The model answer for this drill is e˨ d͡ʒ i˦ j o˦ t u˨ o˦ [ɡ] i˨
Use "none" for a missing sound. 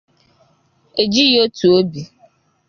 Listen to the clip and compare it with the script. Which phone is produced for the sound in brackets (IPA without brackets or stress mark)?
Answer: b